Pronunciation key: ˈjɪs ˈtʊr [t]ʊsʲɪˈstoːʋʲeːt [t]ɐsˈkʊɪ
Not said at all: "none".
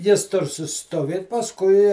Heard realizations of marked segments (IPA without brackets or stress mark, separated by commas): s, p